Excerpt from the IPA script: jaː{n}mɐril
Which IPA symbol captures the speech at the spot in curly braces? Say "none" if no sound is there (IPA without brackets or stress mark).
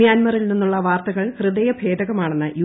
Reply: n